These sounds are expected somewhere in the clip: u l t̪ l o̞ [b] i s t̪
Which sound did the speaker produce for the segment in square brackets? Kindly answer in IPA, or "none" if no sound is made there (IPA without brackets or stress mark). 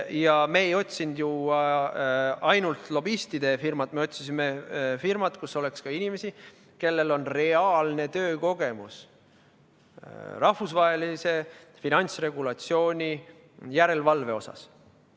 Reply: b